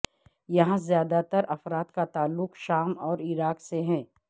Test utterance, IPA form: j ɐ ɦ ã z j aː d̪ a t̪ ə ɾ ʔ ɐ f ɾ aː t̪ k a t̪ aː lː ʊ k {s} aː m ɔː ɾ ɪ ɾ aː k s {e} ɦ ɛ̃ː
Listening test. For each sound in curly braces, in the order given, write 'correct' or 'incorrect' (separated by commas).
incorrect, correct